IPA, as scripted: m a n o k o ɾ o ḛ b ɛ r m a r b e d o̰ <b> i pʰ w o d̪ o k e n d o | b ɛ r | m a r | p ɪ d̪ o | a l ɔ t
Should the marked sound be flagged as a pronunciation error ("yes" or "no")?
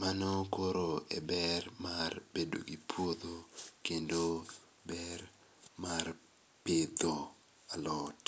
yes